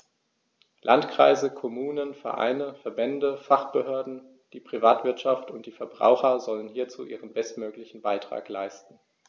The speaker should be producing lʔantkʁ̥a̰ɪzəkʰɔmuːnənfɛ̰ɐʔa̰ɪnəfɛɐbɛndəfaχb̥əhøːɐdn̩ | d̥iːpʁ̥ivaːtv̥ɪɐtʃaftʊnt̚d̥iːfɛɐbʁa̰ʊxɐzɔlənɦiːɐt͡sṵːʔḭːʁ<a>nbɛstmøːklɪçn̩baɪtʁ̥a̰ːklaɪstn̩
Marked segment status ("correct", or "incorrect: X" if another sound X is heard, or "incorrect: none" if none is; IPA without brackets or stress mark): incorrect: ə